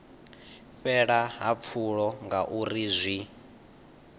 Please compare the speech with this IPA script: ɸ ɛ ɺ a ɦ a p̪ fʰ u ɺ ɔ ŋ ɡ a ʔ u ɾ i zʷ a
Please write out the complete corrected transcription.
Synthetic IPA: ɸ ɛ ɺ a ɦ a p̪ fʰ u ɺ ɔ ŋ ɡ a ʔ u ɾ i zʷ i